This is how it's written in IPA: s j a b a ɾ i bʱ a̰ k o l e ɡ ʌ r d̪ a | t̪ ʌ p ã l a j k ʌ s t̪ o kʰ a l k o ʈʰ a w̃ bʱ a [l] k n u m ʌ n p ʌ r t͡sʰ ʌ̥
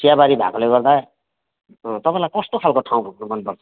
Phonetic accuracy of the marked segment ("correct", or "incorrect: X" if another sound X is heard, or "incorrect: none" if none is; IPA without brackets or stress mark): incorrect: none